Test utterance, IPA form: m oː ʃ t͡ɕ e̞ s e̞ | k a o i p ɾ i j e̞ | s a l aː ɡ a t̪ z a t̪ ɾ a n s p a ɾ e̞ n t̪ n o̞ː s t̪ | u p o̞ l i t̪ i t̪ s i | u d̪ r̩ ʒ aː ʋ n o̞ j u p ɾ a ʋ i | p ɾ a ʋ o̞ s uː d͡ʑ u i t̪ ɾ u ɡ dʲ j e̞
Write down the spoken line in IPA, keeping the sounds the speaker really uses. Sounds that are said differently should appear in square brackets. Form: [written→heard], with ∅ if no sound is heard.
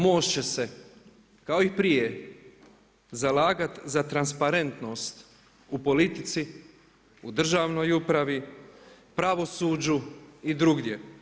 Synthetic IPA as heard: m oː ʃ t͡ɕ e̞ s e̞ | k a o i p ɾ i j e̞ | [s→z] a l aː ɡ a t̪ z a t̪ ɾ a n s p a ɾ e̞ n t̪ n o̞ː s t̪ | u p o̞ l i t̪ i t̪ s i | u d̪ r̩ ʒ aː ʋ n o̞ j u p ɾ a ʋ i | p ɾ a ʋ o̞ s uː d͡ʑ u i [t̪→d̪] ɾ u ɡ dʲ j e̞

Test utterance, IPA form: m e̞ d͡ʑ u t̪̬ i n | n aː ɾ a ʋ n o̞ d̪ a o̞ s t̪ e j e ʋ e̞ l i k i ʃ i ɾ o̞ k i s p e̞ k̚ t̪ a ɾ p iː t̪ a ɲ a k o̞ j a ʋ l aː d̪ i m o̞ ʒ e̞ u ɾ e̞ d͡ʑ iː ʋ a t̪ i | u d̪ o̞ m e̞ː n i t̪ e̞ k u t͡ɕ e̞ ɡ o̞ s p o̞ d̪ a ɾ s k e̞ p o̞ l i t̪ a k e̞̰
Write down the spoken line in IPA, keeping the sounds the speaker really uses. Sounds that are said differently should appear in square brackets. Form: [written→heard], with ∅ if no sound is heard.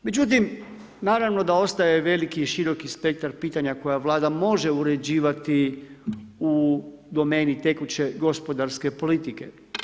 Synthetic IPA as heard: m e̞ d͡ʑ u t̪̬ i [n→m] | n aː ɾ a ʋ n o̞ d̪ a o̞ s t̪ [e→a] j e ʋ e̞ l i k i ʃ i ɾ o̞ k i s p e̞ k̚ t̪ a ɾ p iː t̪ a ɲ a k o̞ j a ʋ l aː d̪ [i→a] m o̞ ʒ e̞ u ɾ e̞ d͡ʑ iː ʋ a t̪ i | u d̪ o̞ m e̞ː n i t̪ e̞ k u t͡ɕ e̞ ɡ o̞ s p o̞ d̪ a ɾ s k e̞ p o̞ l i t̪ [a→i] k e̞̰

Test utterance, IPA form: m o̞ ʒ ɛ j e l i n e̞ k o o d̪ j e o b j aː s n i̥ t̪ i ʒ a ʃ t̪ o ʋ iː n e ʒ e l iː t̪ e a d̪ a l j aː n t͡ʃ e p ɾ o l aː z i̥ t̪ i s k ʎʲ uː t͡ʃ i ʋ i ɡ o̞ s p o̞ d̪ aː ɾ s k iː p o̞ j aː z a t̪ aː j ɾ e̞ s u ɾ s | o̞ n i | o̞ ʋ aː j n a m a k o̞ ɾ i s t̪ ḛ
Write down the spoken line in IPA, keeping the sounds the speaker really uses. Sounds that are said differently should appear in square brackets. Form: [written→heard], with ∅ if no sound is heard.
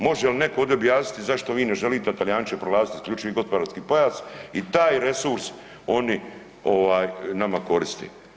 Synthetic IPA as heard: m o̞ ʒ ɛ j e l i n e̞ k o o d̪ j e o b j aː s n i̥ t̪ i [ʒ→z] a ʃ t̪ o ʋ iː n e ʒ e l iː t̪ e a [d̪→t̪] a l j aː n t͡ʃ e p ɾ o l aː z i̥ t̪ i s k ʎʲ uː t͡ʃ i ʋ i ɡ o̞ s p o̞ d̪ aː ɾ s k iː p o̞ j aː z [a→i] t̪ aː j ɾ e̞ s u ɾ s | o̞ n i | o̞ ʋ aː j n a m a k o̞ ɾ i s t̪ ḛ

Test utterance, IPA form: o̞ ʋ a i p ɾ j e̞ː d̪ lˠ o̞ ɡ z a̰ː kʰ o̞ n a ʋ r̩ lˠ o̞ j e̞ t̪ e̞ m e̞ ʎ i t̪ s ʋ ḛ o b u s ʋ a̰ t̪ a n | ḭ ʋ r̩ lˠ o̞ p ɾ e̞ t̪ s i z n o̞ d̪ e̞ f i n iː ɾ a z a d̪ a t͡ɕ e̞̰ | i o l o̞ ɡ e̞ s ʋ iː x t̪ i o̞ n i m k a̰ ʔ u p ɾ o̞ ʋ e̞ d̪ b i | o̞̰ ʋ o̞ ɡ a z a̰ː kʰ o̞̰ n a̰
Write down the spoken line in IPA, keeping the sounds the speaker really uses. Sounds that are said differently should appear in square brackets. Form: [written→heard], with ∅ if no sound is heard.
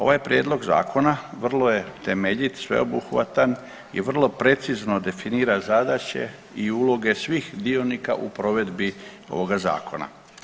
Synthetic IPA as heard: o̞ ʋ a [i→j] p ɾ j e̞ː d̪ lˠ o̞ ɡ z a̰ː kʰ o̞ n a ʋ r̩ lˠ o̞ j e̞ t̪ e̞ m e̞ ʎ i t̪ s ʋ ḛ o b u [s→x] ʋ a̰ t̪ a n | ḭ ʋ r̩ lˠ o̞ p ɾ e̞ t̪ s i z n o̞ d̪ e̞ f i n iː ɾ a z a d̪ a t͡ɕ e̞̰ | i [o→u] l o̞ ɡ e̞ s ʋ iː x [t̪→d̪] i o̞ n i [m→∅] k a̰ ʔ u p ɾ o̞ ʋ e̞ d̪ b i | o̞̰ ʋ o̞ ɡ a z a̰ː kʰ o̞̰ n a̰

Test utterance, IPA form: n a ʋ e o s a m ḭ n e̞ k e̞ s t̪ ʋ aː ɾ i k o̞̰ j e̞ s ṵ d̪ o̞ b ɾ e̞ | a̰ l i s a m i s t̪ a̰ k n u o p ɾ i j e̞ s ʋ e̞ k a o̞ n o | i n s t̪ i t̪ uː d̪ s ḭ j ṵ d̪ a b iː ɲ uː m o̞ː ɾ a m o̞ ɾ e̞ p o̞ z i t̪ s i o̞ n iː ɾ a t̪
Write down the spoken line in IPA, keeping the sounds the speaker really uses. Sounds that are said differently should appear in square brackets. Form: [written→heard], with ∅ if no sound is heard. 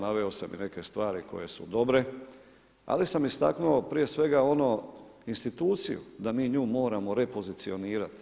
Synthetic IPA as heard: n a ʋ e o s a m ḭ n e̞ k e̞ s t̪ ʋ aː ɾ i k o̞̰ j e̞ s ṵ d̪ o̞ b ɾ e̞ | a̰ l i s a m i s t̪ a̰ k n u o p ɾ i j e̞ s ʋ e̞ [k→ɡ] a o̞ n o | i n s t̪ i t̪ uː [d̪→t̪] s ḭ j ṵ d̪ a [b→m] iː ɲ uː m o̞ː ɾ a m o̞ ɾ e̞ p o̞ z i t̪ s i o̞ n iː ɾ a t̪

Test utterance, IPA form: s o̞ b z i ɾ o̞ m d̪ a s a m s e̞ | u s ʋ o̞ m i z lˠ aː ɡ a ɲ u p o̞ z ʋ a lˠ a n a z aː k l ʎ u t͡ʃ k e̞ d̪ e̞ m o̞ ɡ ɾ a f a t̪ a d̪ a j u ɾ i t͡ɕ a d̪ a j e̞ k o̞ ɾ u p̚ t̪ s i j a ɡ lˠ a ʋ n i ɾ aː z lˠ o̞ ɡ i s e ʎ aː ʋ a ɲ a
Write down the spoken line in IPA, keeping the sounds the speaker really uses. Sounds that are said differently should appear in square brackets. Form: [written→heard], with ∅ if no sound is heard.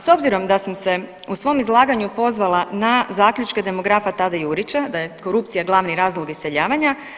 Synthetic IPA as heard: s o̞ b z i ɾ o̞ m d̪ a s a m s e̞ | u s ʋ o̞ m i z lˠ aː ɡ a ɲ u p o̞ z ʋ a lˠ a n a z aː k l ʎ u t͡ʃ k e̞ d̪ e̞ m o̞ ɡ ɾ a f a t̪ a d̪ a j u ɾ i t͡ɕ a d̪ a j e̞ k o̞ ɾ u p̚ t̪ s i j a ɡ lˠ a ʋ n i ɾ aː z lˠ o̞ ɡ i s e ʎ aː ʋ a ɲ a

